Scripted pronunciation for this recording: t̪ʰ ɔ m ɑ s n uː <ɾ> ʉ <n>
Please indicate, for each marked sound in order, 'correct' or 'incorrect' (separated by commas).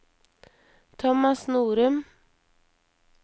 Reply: correct, incorrect